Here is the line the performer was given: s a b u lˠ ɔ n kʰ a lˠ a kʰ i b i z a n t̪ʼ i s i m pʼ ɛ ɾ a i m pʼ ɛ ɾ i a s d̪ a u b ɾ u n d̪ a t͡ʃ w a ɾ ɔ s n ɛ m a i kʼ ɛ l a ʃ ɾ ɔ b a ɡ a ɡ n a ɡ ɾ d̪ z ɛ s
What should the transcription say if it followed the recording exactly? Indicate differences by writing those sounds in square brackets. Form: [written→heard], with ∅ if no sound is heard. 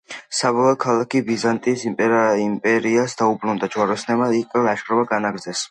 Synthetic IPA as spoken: s a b [u→ɔ] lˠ ɔ [n→∅] kʰ a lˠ a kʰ i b i z a n t̪ʼ i s i m pʼ ɛ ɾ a i m pʼ ɛ ɾ i a s d̪ a u b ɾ u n d̪ a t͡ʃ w a ɾ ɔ s n ɛ m a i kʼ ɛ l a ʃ ɾ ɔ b a ɡ a [ɡ→∅] n a ɡ ɾ d̪ z ɛ s